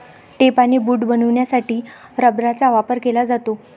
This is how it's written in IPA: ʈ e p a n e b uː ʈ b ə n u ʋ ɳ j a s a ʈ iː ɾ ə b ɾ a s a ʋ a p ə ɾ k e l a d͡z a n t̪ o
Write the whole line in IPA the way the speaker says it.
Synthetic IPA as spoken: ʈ e p a n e b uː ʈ b ə n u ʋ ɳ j a s a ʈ iː ɾ ə b ɾ a t͡s a ʋ a p ə ɾ k e l a d͡z a t̪ o